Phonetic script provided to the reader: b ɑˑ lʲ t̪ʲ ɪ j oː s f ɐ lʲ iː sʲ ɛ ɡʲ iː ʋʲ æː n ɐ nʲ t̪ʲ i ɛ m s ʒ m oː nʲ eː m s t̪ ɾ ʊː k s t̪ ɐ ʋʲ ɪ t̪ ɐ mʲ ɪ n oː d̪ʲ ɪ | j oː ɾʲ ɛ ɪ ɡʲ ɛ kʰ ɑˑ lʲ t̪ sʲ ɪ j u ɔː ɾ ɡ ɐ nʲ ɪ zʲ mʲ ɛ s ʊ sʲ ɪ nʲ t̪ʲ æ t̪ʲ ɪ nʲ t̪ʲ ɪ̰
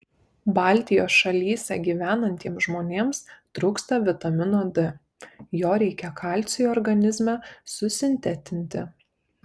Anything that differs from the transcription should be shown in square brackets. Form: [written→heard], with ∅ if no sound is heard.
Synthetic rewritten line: b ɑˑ lʲ t̪ʲ ɪ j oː s [f→ʃ] ɐ lʲ iː sʲ ɛ ɡʲ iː ʋʲ æː n ɐ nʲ t̪ʲ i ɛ m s ʒ m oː nʲ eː m s t̪ ɾ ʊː k s t̪ ɐ ʋʲ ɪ t̪ ɐ mʲ ɪ n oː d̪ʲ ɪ | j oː ɾʲ ɛ ɪ [ɡʲ→kʲ] ɛ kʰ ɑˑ lʲ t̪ sʲ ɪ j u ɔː ɾ ɡ ɐ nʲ ɪ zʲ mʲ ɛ s ʊ sʲ ɪ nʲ t̪ʲ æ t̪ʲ ɪ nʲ t̪ʲ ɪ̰